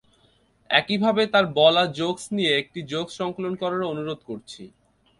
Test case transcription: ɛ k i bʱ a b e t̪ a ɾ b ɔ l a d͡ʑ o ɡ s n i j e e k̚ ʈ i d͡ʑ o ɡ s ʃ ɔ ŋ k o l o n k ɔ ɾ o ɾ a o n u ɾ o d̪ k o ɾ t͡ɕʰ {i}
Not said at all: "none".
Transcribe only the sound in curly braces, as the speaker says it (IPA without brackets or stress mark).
i